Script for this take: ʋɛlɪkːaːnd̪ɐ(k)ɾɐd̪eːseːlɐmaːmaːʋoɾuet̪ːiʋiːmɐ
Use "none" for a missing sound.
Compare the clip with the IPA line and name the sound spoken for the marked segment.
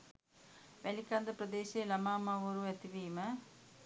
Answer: p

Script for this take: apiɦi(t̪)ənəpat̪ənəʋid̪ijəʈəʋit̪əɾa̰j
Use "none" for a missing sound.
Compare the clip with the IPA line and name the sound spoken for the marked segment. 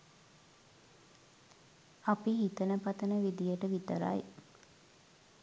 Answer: t̪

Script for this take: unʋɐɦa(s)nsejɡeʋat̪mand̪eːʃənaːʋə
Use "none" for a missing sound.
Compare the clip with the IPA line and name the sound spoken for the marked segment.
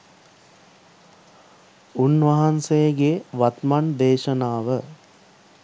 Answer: none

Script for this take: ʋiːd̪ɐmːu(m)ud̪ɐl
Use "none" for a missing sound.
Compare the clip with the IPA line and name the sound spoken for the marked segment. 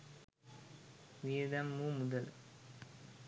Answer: m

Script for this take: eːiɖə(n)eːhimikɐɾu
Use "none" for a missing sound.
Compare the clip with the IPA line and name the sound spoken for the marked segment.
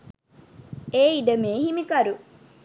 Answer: m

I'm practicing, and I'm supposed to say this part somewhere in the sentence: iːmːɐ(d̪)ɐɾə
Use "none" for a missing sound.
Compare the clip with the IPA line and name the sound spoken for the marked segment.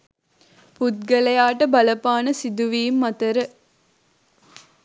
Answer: t̪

